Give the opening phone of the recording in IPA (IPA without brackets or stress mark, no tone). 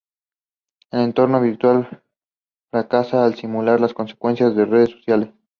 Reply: e